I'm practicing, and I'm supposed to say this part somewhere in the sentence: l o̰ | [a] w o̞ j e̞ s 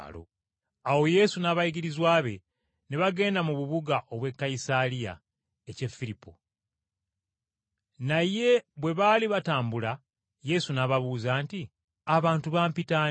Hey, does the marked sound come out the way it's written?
yes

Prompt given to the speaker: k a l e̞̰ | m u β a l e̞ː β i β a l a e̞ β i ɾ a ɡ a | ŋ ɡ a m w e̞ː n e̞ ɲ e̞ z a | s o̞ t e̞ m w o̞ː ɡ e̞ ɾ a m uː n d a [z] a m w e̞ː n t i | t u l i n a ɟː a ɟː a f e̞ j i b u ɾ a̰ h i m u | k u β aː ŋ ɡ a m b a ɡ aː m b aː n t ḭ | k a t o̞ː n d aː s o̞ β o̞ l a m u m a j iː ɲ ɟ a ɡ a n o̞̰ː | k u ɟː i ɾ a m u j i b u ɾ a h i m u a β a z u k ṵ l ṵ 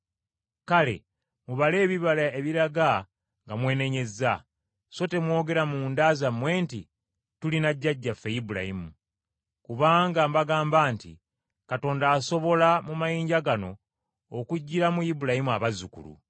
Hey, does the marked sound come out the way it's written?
yes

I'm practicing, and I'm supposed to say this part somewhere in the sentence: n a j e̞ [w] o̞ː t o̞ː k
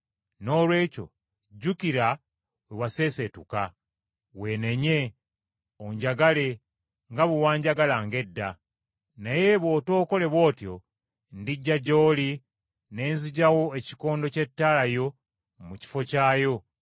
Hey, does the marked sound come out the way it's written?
no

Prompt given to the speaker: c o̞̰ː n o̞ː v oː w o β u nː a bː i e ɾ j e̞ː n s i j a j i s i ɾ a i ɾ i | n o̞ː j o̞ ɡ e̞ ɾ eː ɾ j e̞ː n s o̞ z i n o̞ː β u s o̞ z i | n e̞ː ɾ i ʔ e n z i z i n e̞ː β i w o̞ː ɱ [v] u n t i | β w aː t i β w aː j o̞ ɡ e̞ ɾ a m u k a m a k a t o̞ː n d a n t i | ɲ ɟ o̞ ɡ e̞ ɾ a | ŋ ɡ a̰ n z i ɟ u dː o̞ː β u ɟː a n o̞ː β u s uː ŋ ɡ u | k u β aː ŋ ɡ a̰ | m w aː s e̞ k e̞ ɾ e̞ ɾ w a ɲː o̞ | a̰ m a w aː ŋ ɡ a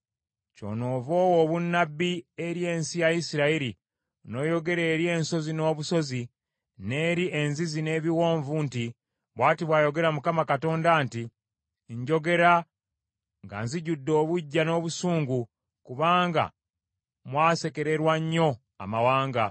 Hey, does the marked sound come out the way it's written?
yes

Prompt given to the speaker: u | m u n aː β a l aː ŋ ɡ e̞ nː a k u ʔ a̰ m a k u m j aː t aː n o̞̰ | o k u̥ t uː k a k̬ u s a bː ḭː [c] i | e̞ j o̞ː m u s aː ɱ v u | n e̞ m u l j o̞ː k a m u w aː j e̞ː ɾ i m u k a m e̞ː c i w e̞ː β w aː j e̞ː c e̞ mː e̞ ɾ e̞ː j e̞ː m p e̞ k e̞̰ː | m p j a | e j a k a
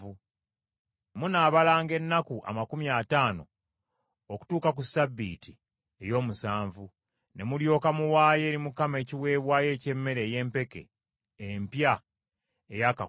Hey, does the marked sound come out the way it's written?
no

